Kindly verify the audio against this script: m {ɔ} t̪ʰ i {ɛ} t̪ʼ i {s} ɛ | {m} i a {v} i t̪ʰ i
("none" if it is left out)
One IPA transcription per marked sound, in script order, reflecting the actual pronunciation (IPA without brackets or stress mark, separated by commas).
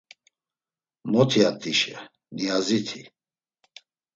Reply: ɔ, a, ʃ, n, z